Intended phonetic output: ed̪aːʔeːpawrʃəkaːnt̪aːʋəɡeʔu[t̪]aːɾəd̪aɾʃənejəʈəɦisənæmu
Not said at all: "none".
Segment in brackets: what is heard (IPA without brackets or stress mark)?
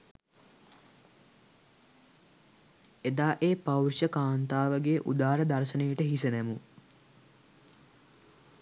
d̪